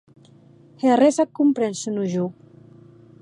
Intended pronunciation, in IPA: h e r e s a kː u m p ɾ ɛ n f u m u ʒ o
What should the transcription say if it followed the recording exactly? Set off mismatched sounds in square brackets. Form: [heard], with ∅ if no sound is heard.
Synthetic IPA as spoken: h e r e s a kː u m p ɾ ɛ n [s] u [n] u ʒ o

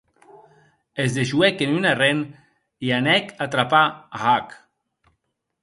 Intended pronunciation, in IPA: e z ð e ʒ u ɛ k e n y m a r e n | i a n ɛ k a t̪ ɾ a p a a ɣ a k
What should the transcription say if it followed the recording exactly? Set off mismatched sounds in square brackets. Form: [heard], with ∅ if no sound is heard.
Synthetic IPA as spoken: e z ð e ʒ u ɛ k e n y [n] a r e n | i a n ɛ k a t̪ ɾ a p a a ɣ a k

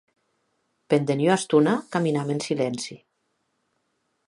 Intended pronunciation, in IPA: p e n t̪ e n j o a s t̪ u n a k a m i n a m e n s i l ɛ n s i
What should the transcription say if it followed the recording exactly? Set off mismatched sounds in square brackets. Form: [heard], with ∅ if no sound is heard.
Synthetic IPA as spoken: p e n [d̪] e n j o a s t̪ u n a k a m i n a m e n s i l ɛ n s i

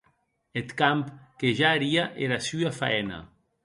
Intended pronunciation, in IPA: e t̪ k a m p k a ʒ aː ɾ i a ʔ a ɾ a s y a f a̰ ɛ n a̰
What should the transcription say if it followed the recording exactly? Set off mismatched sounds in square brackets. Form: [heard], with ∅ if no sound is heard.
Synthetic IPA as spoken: e t̪ k a m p k [e] ʒ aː ɾ i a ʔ [e] ɾ a s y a f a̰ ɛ n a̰

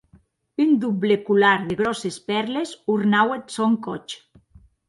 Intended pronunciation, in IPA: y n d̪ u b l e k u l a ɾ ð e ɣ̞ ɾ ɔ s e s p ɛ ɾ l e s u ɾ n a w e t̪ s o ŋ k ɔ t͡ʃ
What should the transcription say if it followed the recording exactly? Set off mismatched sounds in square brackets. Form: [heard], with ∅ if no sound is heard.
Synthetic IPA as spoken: y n d̪ u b l e k u l a ɾ ð e ɣ̞ ɾ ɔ s e s p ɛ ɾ l e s u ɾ n a w e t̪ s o ŋ k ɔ t͡ʃ

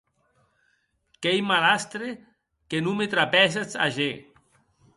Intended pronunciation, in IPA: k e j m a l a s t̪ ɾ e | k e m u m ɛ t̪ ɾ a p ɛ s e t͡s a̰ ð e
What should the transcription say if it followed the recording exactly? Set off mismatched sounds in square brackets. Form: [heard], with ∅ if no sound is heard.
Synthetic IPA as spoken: k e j m a l a s t̪ ɾ e | k e [n] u m [e] t̪ ɾ a p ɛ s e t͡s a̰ [ʒ] e

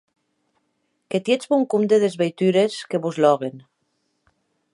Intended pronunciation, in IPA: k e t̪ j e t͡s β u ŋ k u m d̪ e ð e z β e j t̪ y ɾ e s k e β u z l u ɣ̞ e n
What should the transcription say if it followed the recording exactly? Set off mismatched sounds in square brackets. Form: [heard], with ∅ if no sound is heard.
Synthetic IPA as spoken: k e t̪ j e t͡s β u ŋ k u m d̪ e ð e z β e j t̪ y ɾ e s k e β u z l [ɔ] ɣ̞ e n

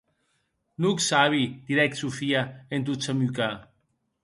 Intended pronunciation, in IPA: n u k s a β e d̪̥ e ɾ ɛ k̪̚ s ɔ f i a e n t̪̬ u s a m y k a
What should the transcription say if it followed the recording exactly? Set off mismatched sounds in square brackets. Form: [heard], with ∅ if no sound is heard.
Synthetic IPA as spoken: n u k s a β [i] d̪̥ [i] ɾ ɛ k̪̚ s [u] f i a e n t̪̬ u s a m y k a

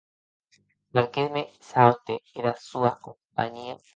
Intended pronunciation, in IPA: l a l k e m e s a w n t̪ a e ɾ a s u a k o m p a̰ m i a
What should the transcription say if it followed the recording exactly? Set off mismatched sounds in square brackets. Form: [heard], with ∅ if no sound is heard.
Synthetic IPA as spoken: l a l k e m e s a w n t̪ [e] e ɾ a s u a k o m p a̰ [ɲ] i a

